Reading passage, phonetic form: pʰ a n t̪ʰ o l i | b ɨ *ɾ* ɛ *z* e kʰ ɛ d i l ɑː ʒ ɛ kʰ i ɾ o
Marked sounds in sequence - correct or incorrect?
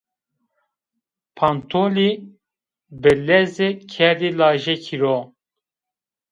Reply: incorrect, correct

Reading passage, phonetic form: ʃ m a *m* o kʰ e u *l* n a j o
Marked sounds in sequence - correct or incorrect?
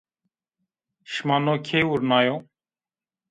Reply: incorrect, incorrect

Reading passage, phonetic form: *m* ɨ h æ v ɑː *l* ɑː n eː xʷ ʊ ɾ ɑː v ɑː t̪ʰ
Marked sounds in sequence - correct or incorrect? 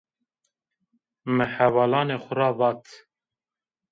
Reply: correct, correct

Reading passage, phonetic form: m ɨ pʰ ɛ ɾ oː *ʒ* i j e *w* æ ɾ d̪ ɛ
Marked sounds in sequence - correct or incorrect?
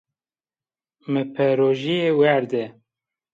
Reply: correct, correct

